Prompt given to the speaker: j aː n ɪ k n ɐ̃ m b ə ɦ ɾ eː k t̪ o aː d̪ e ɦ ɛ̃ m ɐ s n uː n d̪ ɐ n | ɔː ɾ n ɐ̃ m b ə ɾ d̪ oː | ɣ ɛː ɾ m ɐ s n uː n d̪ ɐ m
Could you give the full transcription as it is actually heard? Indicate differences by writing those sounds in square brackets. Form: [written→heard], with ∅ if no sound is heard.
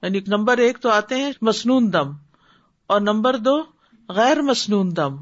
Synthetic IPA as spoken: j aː n [ɪ→i] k n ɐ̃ m b ə [ɦ→∅] ɾ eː k t̪ o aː [d̪→t̪] e ɦ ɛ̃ m ɐ s n uː n d̪ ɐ [n→m] | ɔː ɾ n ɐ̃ m b ə ɾ d̪ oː | ɣ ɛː ɾ m ɐ s n uː n d̪ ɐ m